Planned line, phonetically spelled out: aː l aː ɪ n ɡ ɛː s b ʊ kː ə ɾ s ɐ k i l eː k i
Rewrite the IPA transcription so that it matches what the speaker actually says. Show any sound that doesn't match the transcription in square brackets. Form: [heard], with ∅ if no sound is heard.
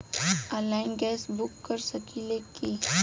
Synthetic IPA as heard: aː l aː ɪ n ɡ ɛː s b ʊ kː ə ɾ s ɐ k i l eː k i